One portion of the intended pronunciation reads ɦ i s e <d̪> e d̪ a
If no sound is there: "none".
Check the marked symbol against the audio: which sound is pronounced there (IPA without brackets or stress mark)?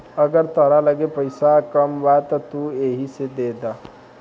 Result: d̪